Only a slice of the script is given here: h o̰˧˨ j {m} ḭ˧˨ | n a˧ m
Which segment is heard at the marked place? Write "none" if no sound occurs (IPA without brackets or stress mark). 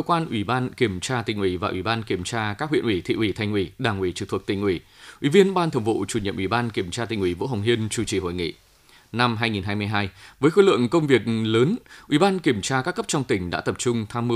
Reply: ŋ